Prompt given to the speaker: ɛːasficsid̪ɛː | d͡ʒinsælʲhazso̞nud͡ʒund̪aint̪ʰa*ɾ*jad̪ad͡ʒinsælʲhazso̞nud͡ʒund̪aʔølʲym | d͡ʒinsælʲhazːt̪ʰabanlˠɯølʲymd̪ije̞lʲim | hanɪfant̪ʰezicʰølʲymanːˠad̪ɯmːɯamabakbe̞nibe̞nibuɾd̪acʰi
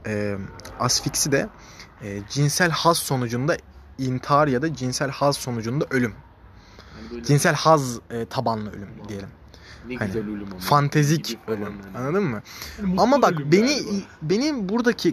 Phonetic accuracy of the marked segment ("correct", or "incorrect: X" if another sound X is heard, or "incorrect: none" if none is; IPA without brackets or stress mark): correct